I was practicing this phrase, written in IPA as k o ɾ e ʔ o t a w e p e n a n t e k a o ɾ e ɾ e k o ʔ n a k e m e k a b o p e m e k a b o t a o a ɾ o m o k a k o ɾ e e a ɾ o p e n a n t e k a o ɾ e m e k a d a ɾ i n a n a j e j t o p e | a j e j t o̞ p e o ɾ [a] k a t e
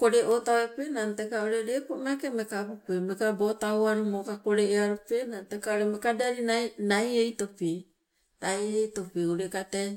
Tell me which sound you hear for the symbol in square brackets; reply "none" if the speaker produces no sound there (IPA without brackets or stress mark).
e